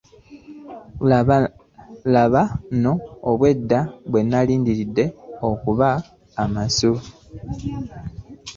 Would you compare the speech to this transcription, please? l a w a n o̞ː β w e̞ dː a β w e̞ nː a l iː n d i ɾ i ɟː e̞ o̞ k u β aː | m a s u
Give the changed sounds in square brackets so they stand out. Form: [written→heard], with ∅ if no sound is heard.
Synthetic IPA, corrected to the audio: l a [w→β] a n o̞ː β w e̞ dː a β w e̞ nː a l iː n d i ɾ i [ɟː→dː] e̞ o̞ k u β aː | m a s u

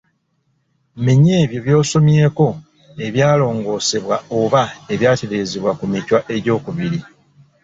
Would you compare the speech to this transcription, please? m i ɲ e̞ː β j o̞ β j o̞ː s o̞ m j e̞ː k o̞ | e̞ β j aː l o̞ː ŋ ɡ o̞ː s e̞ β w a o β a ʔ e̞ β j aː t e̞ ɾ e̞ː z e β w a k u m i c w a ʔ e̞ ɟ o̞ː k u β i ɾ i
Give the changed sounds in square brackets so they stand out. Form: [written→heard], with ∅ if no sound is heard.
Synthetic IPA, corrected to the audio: m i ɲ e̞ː β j o̞ β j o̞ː s o̞ m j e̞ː k o̞ | e̞ β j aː l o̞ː ŋ ɡ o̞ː s e̞ β w a o β a [ʔ→∅] e̞ β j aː t e̞ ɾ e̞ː z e β w a k u m i c w a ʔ e̞ ɟ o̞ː k u β i ɾ i

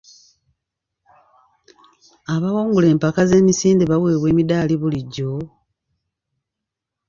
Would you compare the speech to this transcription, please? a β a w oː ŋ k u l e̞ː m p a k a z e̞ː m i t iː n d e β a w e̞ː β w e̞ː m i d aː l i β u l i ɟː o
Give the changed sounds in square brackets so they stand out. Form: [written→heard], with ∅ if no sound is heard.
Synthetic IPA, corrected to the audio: a β a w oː ŋ [k→ɡ] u l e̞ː m p a k a z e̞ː m i [t→s] iː n d e β a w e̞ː β w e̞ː m i d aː l i β u l i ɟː o

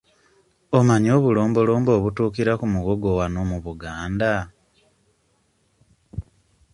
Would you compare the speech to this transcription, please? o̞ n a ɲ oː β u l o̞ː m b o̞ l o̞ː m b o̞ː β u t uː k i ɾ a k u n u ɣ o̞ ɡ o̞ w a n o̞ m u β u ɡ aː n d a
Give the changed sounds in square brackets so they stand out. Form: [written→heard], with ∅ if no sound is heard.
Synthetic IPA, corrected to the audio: o̞ [n→m] a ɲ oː β u l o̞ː m b o̞ l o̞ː m b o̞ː β u t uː k i ɾ a k u [n→m] u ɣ o̞ ɡ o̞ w a n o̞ m u β u ɡ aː n d a

